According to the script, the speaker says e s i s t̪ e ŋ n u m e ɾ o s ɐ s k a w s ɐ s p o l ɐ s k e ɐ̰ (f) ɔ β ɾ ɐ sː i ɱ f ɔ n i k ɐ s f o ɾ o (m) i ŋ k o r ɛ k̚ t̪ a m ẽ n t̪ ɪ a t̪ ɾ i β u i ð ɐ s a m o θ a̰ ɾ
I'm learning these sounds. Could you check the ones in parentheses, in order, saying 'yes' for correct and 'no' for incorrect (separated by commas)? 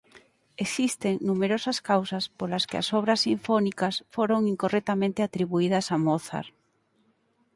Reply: no, no